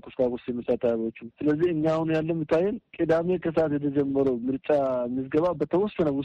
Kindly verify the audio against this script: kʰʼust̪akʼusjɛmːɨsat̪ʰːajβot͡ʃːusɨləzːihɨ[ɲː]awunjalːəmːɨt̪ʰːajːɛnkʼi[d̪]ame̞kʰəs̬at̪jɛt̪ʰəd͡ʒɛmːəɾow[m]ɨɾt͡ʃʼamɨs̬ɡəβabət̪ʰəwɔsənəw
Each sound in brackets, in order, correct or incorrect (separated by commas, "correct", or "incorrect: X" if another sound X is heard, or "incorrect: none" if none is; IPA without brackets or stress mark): correct, correct, correct